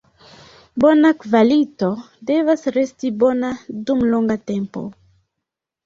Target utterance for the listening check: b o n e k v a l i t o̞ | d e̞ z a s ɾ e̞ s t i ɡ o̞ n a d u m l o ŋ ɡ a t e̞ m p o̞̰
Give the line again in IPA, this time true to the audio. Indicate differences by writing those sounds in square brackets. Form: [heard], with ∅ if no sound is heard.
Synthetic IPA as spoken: b o n [a] k v a l i t o̞ | d e̞ [v] a s ɾ e̞ s t i [b] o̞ n a d u m l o ŋ ɡ a t e̞ m p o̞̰